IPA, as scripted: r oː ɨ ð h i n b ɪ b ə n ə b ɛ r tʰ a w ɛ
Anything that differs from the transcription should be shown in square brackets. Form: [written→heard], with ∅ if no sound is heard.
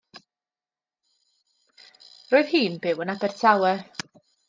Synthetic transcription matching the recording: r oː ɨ ð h [i→iː] n b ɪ [b→w] ə n [ə→a] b ɛ r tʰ a w ɛ

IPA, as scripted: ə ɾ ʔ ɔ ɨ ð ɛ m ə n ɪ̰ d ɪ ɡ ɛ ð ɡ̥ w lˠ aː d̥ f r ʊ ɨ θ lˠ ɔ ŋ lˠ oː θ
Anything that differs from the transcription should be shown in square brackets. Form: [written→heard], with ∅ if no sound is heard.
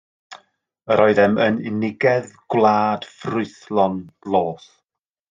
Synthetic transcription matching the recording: ə ɾ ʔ ɔ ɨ ð ɛ m ə n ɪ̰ [d→n] ɪ ɡ ɛ ð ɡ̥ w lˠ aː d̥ f r ʊ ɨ θ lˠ ɔ [ŋ→n] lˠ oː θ

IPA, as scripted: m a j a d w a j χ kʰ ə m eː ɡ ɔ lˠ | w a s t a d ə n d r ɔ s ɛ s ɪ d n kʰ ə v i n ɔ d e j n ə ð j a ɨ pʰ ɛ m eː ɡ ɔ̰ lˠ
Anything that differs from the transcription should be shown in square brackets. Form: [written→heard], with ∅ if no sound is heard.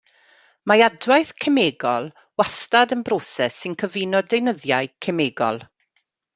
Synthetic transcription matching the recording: m a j a d w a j [χ→θ] kʰ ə m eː ɡ ɔ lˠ | w a s t a d ə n [d→b] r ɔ s ɛ s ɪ [d→∅] n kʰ ə v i n ɔ d e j n ə ð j a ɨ [pʰ→kʰ] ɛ m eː ɡ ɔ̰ lˠ

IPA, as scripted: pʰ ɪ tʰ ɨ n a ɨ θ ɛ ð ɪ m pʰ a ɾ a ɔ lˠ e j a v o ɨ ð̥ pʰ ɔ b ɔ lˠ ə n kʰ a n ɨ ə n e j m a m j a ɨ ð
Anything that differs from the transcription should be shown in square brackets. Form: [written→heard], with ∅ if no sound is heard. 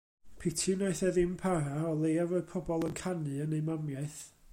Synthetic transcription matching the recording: pʰ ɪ tʰ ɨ n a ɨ θ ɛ ð ɪ m pʰ a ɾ a ɔ lˠ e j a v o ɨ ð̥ pʰ ɔ b ɔ lˠ ə n kʰ a n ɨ ə n e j m a m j a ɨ [ð→θ]

